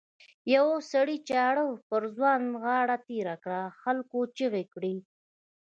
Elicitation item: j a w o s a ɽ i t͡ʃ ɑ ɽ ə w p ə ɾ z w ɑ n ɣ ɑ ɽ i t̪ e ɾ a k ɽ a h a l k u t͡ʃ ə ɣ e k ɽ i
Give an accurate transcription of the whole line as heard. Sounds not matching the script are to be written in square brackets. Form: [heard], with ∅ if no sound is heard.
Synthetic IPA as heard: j a w o s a ɽ i t͡ʃ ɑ ɽ ə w p ə ɾ z w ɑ n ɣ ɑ ɽ [a] t̪ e ɾ a k ɽ a [x] a l k [o] t͡ʃ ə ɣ e k ɽ i